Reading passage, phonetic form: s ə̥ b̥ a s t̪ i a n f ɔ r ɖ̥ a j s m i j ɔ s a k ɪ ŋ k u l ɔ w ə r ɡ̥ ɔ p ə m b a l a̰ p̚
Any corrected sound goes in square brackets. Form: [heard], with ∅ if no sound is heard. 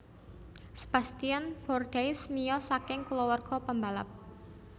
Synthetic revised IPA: s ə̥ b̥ a s t̪ i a n f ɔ r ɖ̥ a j s m i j ɔ s a k ɪ ŋ k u l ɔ w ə r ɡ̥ ɔ p ə m b a l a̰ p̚